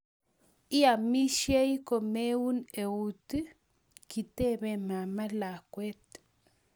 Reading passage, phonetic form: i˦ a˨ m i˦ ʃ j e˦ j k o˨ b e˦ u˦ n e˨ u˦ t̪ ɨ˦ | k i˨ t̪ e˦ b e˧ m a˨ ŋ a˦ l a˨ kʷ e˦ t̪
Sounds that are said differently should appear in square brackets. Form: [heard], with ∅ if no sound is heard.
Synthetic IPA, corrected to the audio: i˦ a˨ m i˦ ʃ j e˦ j k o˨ [m] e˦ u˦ n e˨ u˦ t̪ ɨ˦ | k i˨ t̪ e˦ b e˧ m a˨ [m] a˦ l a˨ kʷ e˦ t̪

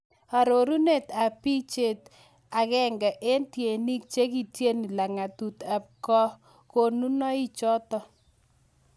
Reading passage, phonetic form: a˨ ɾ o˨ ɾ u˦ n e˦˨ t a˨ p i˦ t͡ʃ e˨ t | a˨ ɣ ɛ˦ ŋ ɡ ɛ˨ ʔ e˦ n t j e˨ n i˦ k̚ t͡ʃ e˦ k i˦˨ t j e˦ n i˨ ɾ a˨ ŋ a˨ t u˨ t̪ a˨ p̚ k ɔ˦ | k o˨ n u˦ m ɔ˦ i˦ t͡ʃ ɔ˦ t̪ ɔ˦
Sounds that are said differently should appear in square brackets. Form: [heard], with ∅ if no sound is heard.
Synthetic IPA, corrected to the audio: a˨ ɾ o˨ ɾ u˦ n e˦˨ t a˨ p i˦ t͡ʃ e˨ t | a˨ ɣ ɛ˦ ŋ ɡ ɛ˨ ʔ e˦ n t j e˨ n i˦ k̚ t͡ʃ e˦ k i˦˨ t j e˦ n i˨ [l] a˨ ŋ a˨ t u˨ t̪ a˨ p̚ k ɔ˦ | k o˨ n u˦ [n] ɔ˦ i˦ t͡ʃ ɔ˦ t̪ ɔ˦

